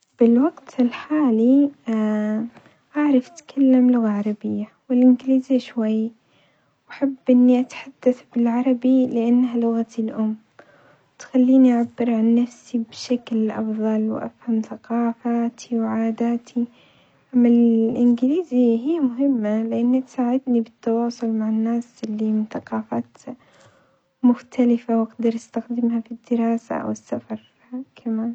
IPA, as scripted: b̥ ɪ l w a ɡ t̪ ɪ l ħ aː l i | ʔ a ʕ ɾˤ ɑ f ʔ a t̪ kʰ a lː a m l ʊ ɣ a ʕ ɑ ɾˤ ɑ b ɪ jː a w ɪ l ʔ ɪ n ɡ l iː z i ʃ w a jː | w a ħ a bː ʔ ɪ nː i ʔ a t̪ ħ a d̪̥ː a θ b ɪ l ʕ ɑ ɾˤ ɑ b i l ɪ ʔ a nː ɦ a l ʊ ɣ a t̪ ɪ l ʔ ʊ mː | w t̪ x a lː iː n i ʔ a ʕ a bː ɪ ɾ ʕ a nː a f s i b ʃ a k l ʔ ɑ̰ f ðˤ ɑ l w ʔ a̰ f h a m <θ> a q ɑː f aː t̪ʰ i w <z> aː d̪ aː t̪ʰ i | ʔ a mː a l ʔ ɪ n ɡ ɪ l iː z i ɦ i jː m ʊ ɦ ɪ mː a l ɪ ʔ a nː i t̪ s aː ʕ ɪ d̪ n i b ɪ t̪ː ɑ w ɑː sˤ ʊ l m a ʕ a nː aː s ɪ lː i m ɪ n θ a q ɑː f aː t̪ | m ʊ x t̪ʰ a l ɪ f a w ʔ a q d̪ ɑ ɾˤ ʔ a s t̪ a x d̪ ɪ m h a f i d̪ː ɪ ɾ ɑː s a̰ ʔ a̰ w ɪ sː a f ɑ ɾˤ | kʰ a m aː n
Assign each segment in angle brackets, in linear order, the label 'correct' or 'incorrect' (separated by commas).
correct, incorrect